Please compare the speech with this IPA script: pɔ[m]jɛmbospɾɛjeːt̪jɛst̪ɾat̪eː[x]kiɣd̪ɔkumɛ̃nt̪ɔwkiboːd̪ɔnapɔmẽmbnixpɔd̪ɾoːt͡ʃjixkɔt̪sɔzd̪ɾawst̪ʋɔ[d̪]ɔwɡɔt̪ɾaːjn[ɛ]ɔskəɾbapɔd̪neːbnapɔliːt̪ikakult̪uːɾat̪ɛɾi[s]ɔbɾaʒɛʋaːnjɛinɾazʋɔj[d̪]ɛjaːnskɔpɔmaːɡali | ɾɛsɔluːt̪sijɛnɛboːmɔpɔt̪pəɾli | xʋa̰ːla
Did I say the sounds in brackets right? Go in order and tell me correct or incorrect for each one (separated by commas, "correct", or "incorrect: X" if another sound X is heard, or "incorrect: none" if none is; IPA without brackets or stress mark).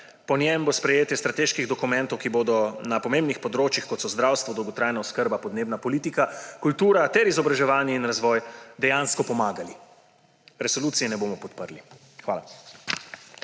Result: incorrect: n, incorrect: ʃ, correct, incorrect: a, incorrect: z, correct